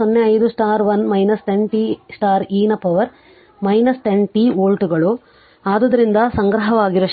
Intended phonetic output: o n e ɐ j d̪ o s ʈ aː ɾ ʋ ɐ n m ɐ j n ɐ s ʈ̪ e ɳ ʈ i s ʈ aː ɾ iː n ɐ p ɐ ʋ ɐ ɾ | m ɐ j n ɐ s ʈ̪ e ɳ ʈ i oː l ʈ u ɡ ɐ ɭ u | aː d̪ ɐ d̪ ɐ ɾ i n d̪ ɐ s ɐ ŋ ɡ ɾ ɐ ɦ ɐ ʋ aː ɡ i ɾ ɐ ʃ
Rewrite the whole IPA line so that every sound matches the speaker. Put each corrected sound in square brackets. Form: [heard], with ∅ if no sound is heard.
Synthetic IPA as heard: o [nː] e ɐ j d̪ [u] s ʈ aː ɾ ʋ ɐ n m ɐ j n ɐ s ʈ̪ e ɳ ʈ i s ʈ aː ɾ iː n ɐ p ɐ ʋ ɐ ɾ | m ɐ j n ɐ s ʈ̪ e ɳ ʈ i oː l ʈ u ɡ ɐ ɭ u | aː d̪ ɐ d̪ ɐ ɾ i n d̪ ɐ s ɐ ŋ ɡ ɾ ɐ ɦ ɐ ʋ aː ɡ i ɾ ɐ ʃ